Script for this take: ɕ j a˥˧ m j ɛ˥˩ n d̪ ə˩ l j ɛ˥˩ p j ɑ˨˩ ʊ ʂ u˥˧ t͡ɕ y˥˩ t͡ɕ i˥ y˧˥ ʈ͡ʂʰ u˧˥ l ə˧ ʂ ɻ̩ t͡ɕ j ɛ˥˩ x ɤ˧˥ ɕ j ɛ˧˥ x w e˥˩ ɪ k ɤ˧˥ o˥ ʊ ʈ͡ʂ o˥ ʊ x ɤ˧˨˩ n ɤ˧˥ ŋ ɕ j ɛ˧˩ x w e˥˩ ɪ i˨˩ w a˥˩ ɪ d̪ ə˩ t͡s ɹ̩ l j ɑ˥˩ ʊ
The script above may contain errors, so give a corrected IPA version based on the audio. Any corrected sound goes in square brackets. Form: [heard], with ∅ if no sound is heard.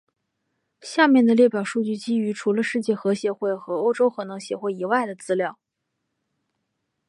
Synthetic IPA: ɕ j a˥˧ m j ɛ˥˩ n d̪ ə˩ l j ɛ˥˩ p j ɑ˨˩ ʊ ʂ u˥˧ t͡ɕ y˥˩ t͡ɕ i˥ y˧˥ ʈ͡ʂʰ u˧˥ l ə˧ ʂ ɻ̩ t͡ɕ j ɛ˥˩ x ɤ˧˥ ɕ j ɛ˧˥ x w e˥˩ ɪ [x] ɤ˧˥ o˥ ʊ ʈ͡ʂ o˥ ʊ x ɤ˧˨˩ n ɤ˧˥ ŋ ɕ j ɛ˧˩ x w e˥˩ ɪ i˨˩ w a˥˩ ɪ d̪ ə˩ t͡s ɹ̩ l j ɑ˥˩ ʊ